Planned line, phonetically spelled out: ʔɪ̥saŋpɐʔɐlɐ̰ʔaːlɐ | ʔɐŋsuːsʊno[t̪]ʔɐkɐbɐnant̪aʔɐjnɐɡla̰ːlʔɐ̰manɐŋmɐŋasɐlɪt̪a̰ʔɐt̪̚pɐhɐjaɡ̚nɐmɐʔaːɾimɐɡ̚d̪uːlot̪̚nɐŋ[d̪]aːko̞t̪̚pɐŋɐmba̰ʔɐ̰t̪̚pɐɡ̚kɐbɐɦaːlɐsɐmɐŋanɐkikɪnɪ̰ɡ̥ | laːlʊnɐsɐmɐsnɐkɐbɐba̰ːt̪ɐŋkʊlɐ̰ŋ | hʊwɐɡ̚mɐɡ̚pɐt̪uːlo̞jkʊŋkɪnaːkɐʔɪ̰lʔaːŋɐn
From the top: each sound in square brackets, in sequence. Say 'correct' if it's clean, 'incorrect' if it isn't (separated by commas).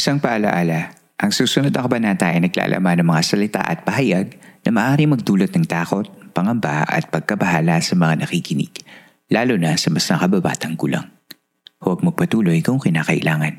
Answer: incorrect, incorrect